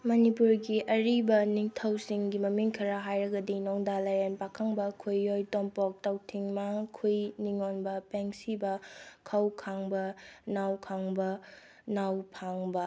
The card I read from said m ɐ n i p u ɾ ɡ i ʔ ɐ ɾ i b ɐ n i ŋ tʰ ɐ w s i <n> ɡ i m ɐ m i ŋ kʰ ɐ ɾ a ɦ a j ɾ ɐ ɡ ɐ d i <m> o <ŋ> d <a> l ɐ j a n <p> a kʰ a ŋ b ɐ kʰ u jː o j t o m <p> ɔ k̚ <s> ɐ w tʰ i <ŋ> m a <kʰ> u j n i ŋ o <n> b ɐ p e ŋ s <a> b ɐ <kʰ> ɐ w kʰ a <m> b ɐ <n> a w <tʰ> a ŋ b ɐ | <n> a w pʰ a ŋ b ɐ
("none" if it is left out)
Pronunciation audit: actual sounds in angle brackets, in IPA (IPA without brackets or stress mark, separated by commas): ŋ, n, ŋ, a, p, p, t, ŋ, kʰ, n, i, kʰ, ŋ, n, kʰ, n